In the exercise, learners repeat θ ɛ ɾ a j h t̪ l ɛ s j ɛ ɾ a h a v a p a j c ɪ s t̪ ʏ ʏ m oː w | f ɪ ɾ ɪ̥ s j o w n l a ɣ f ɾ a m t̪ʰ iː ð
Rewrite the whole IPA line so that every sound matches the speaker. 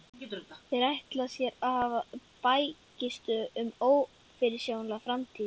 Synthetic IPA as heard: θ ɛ ɾ a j h t̪ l a s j ɛ ɾ a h a v a p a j c ɪ s t̪ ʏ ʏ m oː w | f ɪ ɾ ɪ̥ s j o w n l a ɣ f ɾ a m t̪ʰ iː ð